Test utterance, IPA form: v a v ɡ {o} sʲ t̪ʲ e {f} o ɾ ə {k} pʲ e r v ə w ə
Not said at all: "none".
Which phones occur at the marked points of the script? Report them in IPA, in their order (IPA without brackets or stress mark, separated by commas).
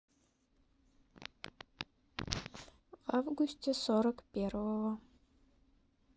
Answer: u, s, k